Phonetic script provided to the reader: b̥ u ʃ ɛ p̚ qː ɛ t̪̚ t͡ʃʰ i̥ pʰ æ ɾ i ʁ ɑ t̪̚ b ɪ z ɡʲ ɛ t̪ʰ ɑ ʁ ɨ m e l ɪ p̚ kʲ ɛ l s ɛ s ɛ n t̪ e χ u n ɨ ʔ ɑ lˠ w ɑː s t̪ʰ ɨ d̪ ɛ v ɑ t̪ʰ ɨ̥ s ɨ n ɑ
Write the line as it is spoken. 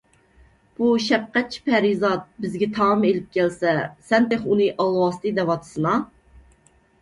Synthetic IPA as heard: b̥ u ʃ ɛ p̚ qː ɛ t̪̚ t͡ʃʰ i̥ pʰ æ ɾ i z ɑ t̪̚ b ɪ z ɡʲ ɛ t̪ʰ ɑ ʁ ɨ m e l ɪ p̚ kʲ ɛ l s ɛ s ɛ n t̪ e χ u n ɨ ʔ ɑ lˠ w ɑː s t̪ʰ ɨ d̪ ɛ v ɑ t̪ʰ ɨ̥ s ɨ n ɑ